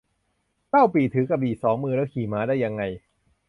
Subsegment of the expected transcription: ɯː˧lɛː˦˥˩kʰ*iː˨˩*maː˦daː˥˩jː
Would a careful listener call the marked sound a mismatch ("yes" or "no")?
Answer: no